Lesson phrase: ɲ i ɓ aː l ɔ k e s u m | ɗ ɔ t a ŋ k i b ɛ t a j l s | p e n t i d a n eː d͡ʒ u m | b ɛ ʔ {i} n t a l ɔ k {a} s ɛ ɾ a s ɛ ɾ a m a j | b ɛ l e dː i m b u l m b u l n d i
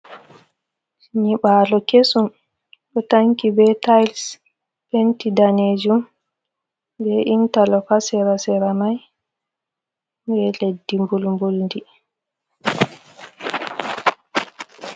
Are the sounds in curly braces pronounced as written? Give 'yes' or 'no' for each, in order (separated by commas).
yes, yes